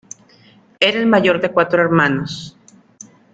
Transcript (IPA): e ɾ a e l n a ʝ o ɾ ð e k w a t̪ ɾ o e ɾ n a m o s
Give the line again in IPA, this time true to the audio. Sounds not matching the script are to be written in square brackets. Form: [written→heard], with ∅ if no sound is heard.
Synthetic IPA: e ɾ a e l [n→m] a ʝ o ɾ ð e k w a t̪ ɾ o e ɾ [n→m] a [m→n] o s